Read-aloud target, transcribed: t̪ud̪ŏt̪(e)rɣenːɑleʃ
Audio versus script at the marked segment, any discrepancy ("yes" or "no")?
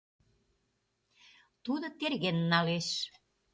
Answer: no